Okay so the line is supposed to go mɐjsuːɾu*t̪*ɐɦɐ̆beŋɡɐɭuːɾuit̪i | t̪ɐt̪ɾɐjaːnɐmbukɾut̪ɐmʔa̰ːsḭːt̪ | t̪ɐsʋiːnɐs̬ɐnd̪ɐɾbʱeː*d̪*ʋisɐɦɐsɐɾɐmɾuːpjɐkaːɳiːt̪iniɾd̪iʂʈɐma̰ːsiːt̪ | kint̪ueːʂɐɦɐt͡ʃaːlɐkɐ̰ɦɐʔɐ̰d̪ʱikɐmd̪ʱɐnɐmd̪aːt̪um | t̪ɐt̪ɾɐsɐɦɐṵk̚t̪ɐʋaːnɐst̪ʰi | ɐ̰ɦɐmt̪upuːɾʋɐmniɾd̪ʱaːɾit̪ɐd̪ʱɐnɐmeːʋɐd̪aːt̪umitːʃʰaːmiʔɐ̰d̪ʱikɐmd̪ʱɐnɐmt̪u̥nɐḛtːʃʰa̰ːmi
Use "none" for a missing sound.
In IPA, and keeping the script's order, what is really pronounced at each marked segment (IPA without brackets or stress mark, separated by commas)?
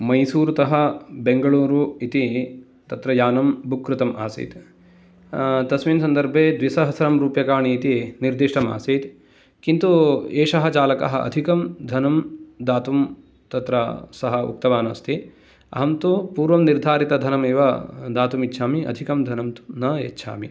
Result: t̪, d̪